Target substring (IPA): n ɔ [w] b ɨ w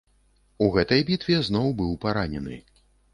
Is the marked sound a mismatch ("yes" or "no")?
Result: no